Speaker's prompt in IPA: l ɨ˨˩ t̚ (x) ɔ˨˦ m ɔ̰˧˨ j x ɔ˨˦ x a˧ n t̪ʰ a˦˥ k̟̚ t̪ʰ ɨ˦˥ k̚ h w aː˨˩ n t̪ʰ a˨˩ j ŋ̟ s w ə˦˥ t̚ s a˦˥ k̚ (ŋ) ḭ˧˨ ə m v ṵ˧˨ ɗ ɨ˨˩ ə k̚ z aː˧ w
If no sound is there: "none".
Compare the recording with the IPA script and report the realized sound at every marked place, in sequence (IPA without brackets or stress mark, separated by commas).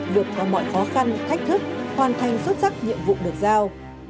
k, ɲ